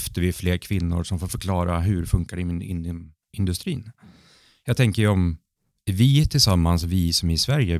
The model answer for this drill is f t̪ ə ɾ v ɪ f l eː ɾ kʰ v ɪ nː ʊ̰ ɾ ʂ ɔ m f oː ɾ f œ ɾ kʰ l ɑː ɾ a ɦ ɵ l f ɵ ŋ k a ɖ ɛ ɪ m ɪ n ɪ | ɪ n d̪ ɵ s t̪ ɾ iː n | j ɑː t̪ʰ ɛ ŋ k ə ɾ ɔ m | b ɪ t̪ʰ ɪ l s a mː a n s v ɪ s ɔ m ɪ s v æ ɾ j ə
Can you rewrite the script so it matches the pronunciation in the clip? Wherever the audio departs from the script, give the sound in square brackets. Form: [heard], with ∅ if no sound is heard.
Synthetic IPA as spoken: f t̪ ə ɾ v ɪ f l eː ɾ kʰ v ɪ nː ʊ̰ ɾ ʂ ɔ m f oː ɾ f œ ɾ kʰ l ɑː ɾ a ɦ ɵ [ɾ] f ɵ ŋ k a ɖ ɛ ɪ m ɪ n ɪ | ɪ n d̪ ɵ s t̪ ɾ iː n | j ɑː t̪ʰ ɛ ŋ k ə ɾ ɔ m | [v] ɪ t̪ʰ ɪ l s a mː a n s v ɪ s ɔ m ɪ s v æ ɾ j ə